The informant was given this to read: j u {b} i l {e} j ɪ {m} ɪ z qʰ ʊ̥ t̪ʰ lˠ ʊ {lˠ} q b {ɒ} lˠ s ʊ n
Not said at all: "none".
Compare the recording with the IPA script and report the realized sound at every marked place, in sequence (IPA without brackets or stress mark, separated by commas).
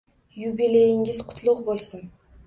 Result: b, e, ŋ, none, o